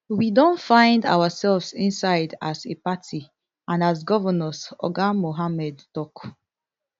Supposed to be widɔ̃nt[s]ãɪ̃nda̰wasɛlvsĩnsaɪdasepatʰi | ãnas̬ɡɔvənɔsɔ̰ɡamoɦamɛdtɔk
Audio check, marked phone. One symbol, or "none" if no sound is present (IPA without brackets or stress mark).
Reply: f